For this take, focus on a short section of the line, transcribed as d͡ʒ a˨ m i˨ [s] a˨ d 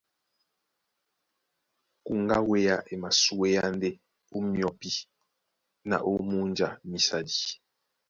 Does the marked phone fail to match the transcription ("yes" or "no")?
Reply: no